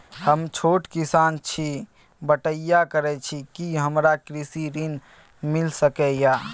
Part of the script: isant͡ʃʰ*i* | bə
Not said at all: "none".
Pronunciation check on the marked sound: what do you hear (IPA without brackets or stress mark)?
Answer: i